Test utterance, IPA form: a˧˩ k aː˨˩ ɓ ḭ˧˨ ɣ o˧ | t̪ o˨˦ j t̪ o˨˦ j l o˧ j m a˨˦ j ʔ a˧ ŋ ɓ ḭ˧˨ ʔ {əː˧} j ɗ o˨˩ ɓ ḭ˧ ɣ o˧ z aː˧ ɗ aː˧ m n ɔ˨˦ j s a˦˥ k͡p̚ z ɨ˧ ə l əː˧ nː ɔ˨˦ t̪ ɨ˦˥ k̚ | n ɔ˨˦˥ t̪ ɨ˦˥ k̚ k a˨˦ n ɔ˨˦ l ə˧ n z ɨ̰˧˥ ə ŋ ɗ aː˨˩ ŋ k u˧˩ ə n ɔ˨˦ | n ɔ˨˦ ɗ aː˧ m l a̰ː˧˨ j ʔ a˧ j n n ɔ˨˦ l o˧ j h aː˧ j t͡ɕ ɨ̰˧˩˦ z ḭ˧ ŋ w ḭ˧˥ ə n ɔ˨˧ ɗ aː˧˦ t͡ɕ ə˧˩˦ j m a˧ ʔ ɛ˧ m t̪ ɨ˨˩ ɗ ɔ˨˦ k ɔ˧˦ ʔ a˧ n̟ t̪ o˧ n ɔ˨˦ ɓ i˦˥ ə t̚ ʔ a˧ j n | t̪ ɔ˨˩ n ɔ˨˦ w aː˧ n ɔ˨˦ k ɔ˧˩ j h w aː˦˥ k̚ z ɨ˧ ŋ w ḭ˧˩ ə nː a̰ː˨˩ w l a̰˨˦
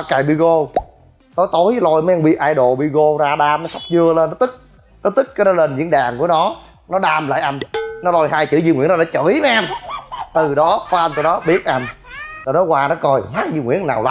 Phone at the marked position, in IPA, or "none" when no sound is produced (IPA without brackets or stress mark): aː˧